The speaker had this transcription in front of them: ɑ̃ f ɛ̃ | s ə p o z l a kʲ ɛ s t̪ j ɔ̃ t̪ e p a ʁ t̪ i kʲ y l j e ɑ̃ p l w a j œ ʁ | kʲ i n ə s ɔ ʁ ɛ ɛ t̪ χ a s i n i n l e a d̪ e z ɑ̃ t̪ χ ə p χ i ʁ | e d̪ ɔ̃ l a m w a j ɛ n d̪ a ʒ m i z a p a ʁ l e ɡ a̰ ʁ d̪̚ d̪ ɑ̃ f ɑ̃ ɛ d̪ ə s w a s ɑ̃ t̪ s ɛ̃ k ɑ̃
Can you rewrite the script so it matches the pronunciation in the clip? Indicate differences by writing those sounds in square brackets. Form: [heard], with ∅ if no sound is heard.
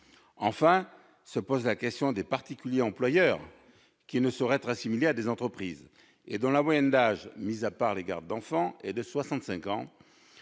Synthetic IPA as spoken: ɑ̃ f ɛ̃ | s ə p o z l a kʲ ɛ s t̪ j ɔ̃ [d̪] e p a ʁ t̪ i kʲ y l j e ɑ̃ p l w a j œ ʁ | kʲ i n ə s ɔ ʁ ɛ ɛ t̪ χ a s i [m] i [∅] l e a d̪ e z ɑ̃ t̪ χ ə p χ i [z] | e d̪ ɔ̃ l a m w a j ɛ n d̪ a ʒ m i z a p a ʁ l e ɡ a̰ ʁ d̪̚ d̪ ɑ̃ f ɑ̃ ɛ d̪ ə s w a s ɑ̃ t̪ s ɛ̃ k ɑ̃